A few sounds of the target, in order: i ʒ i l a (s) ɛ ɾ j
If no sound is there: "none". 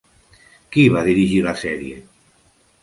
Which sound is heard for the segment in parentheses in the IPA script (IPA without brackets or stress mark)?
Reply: s